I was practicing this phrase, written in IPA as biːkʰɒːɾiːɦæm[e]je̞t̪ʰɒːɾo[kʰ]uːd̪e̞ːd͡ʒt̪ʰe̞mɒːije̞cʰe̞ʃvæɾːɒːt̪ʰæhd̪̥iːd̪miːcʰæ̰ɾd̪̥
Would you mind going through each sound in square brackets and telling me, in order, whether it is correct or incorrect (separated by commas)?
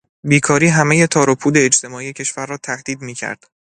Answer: correct, incorrect